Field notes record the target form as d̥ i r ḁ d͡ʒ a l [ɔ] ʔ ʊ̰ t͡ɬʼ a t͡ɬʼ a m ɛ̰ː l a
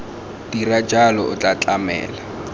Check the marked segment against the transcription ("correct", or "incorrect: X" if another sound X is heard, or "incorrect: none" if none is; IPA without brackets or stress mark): correct